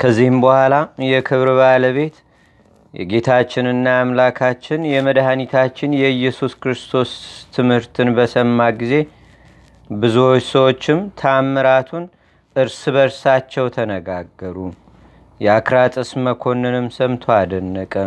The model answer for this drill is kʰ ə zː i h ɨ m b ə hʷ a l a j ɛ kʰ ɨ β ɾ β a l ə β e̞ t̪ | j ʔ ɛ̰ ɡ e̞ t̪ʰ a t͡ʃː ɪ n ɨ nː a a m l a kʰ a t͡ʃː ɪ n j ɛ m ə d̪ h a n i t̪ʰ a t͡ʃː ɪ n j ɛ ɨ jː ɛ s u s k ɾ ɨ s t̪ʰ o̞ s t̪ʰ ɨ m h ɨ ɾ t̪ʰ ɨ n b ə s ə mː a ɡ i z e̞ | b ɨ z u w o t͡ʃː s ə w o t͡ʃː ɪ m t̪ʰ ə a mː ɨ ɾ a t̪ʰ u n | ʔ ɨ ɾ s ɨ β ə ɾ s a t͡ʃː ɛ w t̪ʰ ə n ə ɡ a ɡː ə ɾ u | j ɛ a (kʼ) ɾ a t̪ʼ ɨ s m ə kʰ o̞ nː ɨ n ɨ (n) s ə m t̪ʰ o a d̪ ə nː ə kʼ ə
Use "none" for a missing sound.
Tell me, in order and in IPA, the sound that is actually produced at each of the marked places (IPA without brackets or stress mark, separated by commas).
k, m